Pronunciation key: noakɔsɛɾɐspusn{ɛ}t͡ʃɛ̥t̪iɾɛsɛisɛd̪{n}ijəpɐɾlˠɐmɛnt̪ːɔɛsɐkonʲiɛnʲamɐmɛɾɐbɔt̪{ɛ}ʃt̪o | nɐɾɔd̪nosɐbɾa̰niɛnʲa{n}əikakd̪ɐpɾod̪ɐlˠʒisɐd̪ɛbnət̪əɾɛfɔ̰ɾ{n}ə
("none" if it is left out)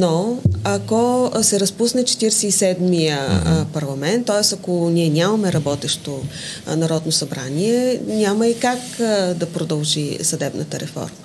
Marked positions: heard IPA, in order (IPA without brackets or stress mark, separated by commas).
ɛ, m, ɛ, m, m